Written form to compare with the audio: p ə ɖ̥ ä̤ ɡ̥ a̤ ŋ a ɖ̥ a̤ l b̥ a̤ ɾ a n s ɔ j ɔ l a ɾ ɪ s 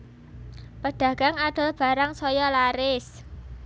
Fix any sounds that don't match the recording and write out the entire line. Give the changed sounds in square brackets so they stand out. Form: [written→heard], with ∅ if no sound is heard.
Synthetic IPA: p ə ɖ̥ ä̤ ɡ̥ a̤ ŋ a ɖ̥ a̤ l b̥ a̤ ɾ a [n→ŋ] s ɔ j ɔ l a ɾ ɪ s